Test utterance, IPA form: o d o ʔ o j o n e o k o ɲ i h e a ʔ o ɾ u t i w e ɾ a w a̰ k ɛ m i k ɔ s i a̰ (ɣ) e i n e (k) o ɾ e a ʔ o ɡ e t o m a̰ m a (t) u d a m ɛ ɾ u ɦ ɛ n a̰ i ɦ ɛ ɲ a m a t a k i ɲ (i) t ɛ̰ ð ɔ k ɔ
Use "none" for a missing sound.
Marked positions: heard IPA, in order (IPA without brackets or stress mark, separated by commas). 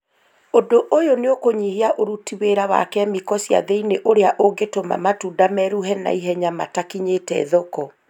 ð, ʔ, t, e